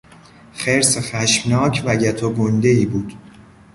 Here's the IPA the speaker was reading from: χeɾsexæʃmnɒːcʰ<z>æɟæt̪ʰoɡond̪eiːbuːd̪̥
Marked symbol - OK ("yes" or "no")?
no